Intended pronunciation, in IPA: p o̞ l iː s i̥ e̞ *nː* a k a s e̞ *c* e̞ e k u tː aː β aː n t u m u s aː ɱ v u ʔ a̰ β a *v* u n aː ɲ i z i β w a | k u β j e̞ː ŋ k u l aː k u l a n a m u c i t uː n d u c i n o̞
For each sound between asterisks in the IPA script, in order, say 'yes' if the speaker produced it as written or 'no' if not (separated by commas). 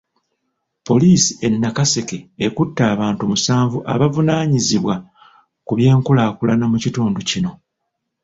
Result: yes, no, yes